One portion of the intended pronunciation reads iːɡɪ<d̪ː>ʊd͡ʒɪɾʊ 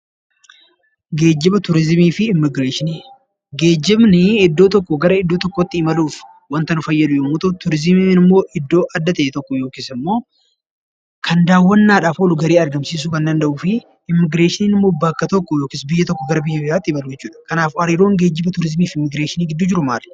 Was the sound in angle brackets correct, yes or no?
yes